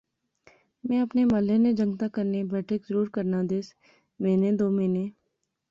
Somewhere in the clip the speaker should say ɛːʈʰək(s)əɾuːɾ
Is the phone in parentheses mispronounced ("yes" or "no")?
yes